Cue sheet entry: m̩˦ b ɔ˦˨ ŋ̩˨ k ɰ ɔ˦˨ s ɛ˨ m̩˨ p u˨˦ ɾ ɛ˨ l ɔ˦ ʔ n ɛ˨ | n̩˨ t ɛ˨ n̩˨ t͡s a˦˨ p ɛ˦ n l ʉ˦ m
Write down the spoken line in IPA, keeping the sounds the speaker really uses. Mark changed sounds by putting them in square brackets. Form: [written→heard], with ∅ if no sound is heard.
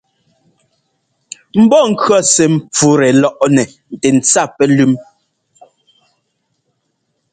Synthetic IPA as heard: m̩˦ b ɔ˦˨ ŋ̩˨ k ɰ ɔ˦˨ s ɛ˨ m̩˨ [p→p͡f] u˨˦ ɾ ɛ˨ l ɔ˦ ʔ n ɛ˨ | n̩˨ t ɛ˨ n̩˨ t͡s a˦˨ p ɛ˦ [n→∅] l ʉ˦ m